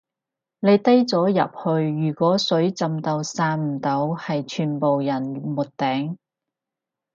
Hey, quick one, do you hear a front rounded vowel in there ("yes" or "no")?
yes